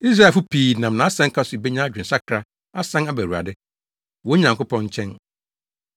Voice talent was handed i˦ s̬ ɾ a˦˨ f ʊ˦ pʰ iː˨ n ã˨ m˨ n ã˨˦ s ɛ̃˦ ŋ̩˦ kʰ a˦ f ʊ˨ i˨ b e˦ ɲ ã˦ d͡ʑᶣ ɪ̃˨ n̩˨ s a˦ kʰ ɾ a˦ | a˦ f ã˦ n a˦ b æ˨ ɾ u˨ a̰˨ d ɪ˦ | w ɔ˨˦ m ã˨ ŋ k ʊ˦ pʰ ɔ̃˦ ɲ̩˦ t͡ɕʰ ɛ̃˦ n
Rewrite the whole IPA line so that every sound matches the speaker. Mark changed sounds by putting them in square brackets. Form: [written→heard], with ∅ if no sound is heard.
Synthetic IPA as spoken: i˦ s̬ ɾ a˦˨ f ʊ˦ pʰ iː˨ n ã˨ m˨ n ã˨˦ s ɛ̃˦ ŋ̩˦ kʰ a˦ [f→s] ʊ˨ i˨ b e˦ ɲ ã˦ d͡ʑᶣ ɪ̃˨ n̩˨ s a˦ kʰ ɾ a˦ | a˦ [f→s] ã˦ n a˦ b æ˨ ɾ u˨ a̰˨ d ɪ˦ | w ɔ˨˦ [m→ɲ] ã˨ ŋ k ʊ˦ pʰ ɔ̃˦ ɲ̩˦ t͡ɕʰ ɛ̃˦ n